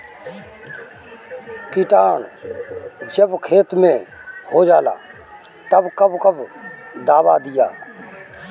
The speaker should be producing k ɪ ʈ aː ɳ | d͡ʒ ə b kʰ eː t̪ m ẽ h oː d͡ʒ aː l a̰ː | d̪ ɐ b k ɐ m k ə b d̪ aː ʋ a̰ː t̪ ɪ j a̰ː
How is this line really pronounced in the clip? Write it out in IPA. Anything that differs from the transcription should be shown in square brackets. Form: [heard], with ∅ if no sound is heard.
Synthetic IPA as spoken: k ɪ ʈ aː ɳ | d͡ʒ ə b kʰ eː t̪ m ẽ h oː d͡ʒ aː l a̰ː | [t̪] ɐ b k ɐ [b] k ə b d̪ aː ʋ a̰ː [d̪] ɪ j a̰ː